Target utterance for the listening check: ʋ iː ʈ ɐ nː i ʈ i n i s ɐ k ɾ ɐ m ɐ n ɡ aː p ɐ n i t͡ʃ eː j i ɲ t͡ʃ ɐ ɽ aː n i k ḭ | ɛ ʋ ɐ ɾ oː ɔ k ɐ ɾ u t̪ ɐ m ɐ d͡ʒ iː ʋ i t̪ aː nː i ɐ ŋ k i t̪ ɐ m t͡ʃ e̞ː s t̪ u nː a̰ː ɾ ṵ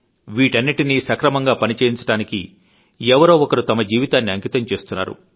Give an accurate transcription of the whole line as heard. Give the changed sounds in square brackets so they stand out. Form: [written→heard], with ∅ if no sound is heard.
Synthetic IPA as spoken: ʋ iː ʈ ɐ nː i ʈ i n i s ɐ k ɾ ɐ m ɐ [n→ŋ] ɡ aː p ɐ n i t͡ʃ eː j i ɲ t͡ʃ ɐ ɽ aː n i k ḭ | ɛ ʋ ɐ ɾ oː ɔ k ɐ ɾ u t̪ ɐ m ɐ d͡ʒ iː ʋ i t̪ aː nː i ɐ ŋ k i t̪ ɐ m t͡ʃ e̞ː s t̪ u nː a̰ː ɾ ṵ